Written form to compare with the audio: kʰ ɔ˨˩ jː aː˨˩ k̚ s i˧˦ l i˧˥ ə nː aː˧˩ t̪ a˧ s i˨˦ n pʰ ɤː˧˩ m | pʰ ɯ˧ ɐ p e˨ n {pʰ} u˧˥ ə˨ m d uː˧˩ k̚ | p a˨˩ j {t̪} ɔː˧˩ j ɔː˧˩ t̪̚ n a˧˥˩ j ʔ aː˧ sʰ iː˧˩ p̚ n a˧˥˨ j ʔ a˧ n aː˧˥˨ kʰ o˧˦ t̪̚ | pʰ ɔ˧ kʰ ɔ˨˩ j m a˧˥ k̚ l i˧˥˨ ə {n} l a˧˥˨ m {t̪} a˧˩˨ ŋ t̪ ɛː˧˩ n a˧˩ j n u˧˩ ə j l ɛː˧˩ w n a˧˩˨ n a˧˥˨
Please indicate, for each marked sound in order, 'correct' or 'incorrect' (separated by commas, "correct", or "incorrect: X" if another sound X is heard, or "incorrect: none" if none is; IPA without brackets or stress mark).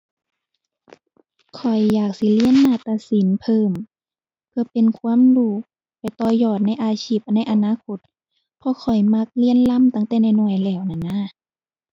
incorrect: kʰ, correct, correct, correct